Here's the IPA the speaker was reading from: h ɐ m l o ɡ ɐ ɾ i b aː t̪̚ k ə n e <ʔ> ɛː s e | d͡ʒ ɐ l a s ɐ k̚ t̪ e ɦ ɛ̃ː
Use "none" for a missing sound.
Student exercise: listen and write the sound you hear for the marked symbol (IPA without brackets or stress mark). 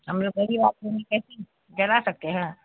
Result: k